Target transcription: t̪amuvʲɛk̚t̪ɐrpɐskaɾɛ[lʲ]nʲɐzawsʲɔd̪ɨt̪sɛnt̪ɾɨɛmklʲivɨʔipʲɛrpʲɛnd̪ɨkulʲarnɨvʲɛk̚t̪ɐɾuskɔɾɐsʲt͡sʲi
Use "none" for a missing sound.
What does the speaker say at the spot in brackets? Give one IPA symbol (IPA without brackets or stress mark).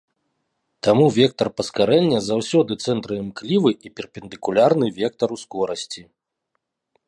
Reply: lʲ